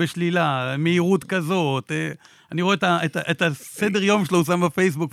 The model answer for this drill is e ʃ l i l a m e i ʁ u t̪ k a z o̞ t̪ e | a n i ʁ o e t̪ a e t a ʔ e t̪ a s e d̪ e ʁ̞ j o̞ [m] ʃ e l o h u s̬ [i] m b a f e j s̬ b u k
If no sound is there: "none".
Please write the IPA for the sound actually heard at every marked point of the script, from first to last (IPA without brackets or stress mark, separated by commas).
m, a